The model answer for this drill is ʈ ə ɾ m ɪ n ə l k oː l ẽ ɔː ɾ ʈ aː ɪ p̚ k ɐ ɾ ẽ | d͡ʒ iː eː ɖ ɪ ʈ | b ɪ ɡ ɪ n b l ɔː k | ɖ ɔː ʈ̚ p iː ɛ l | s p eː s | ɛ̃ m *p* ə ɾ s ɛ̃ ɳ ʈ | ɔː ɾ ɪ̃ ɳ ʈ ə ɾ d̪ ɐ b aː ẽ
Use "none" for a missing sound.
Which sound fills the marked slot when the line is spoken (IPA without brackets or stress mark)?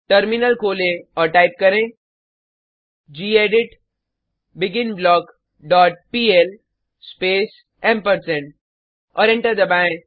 p